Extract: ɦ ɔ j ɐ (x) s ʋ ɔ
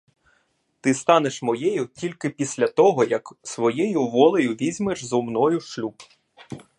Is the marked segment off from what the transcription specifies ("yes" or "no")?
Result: yes